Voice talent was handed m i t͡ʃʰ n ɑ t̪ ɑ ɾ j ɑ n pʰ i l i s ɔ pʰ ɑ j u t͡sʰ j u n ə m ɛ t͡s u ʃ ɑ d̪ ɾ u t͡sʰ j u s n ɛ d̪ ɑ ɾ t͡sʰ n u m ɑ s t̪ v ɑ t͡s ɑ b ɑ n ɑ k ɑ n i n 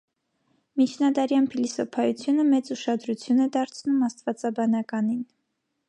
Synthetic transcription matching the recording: m i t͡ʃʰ n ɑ d̪ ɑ ɾ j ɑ n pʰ i l i s ɔ pʰ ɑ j u t͡sʰ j u n ə m ɛ t͡s u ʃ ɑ d̪ ɾ u t͡sʰ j u n ɛ d̪ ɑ ɾ t͡sʰ n u m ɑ s t̪ v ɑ t͡s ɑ b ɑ n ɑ k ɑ n i n